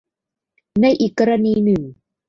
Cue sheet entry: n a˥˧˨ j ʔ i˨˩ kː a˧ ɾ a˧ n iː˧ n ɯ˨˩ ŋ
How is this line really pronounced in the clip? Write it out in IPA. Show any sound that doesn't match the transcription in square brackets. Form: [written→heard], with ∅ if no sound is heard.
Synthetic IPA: n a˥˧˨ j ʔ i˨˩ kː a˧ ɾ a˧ n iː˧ n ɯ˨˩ ŋ